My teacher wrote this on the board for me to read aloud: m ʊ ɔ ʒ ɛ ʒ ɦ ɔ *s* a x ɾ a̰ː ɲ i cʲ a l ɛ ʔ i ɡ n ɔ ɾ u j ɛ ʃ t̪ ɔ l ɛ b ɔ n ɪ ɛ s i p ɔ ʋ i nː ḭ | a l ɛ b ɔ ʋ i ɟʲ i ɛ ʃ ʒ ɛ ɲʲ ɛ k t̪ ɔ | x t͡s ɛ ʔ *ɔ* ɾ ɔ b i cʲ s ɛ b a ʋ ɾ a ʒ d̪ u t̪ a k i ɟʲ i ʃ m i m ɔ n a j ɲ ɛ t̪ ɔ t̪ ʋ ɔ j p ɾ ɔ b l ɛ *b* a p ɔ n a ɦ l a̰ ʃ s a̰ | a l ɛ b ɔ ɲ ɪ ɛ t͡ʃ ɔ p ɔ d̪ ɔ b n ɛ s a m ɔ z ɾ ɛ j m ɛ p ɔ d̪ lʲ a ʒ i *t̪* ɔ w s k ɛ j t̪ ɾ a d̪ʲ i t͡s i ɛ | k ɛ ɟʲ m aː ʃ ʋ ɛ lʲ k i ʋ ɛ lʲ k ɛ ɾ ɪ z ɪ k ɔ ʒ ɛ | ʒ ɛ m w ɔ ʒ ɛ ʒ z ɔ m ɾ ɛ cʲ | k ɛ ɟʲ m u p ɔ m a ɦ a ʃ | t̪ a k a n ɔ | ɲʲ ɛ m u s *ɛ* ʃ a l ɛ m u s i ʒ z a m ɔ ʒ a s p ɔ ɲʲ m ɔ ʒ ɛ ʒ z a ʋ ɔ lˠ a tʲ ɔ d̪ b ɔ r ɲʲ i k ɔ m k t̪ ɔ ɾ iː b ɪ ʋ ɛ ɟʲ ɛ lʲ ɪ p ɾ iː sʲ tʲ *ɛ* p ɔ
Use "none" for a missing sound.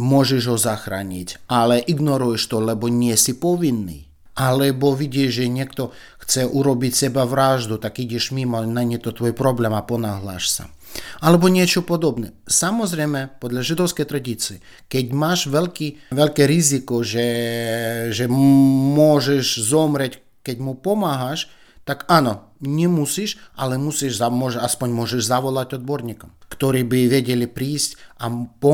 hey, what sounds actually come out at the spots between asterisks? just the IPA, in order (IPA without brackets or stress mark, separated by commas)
z, u, m, d̪, i, a